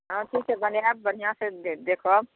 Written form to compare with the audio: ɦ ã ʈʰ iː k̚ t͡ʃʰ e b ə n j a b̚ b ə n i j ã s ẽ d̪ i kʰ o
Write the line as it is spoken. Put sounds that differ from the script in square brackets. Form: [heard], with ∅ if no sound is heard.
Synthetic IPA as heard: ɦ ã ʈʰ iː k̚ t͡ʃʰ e b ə n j a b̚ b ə n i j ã s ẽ d̪ [e] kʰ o